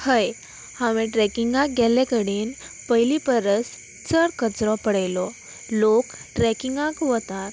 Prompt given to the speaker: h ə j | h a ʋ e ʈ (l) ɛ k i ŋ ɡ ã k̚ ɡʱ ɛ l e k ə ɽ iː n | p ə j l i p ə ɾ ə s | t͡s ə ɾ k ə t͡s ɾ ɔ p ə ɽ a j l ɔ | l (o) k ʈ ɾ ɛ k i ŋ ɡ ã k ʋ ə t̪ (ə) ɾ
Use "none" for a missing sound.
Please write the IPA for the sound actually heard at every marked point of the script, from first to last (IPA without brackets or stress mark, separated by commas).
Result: ɾ, o, a